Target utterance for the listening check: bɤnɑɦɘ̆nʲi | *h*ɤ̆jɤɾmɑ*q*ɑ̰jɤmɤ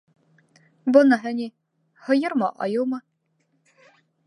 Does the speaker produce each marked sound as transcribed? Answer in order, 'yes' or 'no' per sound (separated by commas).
yes, no